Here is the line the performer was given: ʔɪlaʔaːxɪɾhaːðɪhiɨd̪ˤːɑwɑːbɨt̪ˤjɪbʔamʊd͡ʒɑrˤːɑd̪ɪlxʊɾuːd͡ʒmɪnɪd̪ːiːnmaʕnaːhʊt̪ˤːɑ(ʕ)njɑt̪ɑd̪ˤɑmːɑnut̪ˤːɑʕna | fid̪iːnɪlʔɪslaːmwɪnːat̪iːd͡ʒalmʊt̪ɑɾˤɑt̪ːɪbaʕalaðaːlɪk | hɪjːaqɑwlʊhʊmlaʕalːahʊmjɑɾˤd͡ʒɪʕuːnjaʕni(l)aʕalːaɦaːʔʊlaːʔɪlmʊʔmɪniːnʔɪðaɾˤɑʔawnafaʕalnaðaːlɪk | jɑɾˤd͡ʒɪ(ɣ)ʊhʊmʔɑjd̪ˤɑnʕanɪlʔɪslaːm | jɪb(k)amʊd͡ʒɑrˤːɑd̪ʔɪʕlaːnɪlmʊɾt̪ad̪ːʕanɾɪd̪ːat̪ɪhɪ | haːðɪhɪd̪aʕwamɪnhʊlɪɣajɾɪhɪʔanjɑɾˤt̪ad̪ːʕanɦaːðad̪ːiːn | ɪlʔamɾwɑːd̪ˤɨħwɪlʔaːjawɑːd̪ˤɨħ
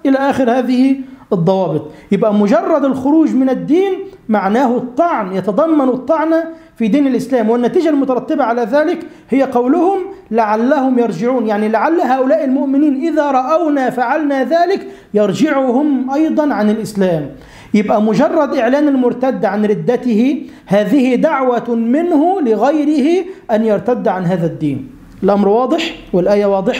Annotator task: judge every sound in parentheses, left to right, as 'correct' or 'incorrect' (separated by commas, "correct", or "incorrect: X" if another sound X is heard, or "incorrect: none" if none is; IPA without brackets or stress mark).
correct, correct, incorrect: ʕ, incorrect: ʔ